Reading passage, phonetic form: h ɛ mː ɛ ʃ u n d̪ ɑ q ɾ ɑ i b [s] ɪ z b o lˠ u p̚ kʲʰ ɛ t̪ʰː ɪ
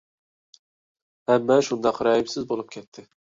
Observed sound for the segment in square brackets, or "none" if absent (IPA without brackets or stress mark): s